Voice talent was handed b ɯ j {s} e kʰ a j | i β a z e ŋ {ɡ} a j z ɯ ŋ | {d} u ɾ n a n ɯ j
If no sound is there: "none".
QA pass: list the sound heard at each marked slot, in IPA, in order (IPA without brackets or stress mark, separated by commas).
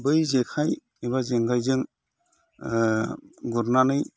z, ɡ, ɡ